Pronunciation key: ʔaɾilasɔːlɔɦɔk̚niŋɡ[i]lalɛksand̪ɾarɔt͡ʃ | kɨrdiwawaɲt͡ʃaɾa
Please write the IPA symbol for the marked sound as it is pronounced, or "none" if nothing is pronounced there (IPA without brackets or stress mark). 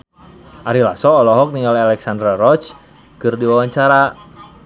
a